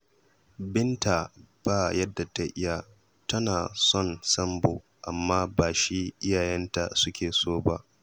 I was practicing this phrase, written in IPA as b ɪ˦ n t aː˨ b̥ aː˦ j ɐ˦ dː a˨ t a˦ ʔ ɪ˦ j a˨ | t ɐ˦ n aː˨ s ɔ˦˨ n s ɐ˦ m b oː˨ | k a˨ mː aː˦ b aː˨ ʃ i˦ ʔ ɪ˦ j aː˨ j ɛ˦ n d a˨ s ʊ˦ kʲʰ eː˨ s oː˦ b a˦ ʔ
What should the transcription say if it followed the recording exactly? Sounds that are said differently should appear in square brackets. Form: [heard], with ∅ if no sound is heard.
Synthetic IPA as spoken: b ɪ˦ n t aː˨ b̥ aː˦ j ɐ˦ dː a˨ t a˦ ʔ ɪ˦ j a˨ | t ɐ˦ n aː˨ s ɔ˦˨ n s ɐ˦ m b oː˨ | [ʔ] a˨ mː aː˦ b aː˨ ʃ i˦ ʔ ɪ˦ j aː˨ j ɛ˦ n [t] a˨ s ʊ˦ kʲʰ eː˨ s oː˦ b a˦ ʔ